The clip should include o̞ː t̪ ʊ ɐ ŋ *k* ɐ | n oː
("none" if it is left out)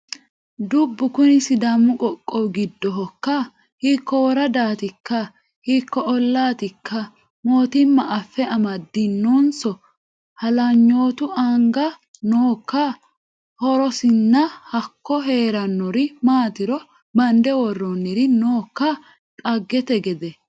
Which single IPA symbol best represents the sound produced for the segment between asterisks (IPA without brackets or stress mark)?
ɡ